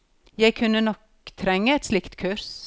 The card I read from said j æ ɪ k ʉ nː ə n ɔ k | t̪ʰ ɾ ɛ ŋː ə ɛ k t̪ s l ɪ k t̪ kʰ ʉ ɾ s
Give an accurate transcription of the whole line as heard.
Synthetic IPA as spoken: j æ ɪ kʰ ʉ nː ə n ɔ k | t̪ʰ ɾ ɛ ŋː ə ɛ t̪ s l ɪ k t̪ kʰ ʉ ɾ s